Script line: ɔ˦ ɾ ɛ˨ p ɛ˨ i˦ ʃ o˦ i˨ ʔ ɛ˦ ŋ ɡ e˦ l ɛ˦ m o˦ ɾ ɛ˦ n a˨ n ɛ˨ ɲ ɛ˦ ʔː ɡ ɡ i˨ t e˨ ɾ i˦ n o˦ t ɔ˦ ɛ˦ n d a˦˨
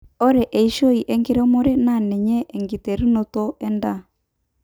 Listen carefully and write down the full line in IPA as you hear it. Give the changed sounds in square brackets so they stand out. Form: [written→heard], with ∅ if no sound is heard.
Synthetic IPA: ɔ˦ ɾ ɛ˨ [p→ʔ] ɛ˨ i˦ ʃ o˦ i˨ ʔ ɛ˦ ŋ ɡ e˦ [l→ɾ] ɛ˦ m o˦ ɾ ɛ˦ n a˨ n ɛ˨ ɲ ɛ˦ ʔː [ɡ→ŋ] ɡ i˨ t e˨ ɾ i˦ n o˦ t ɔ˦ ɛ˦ n d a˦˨